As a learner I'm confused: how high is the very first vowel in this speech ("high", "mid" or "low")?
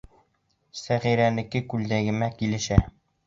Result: low